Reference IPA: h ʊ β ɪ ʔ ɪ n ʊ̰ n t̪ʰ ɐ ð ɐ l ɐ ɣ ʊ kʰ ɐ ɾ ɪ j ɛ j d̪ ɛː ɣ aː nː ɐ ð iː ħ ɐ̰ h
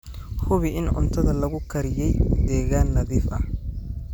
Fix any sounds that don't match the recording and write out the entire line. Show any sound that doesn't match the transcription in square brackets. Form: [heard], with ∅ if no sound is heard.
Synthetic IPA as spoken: h ʊ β ɪ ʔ ɪ n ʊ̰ n t̪ʰ ɐ ð ɐ l ɐ ɣ ʊ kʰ ɐ ɾ ɪ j ɛ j d̪ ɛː ɣ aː nː ɐ ð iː [f] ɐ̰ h